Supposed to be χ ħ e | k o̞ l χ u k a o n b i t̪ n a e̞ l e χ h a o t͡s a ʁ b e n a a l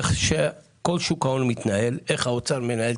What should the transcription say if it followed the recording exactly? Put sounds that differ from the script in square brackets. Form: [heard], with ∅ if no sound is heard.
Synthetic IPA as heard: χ [ʃ] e | k o̞ l [ʃ] u k a o n [m] i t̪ n a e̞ l e χ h a o t͡s a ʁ [m] e n a [e] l